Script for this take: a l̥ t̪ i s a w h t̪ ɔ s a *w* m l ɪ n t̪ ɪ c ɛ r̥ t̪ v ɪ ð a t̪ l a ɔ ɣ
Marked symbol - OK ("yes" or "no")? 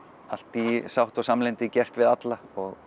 no